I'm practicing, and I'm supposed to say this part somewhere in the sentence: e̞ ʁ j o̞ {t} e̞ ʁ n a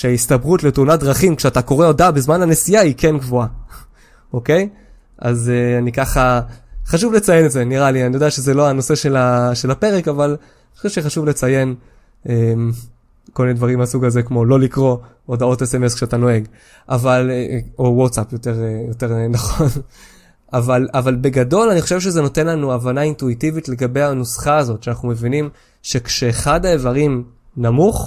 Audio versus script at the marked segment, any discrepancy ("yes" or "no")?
no